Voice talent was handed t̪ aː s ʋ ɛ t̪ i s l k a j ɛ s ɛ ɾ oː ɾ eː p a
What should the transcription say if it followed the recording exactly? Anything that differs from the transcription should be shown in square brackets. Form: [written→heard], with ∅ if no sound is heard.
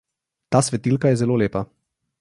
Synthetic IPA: t̪ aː s ʋ ɛ t̪ i [s→∅] l k a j ɛ [s→z] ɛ [ɾ→l] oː [ɾ→l] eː p a